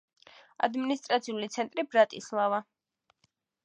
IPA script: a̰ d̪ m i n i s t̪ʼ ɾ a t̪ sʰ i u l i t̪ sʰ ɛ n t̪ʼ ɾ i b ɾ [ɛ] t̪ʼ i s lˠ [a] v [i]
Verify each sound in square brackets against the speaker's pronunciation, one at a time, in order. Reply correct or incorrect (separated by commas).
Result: incorrect, correct, incorrect